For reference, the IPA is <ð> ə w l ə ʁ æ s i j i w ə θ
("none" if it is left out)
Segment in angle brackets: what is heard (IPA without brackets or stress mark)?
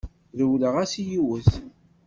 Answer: ð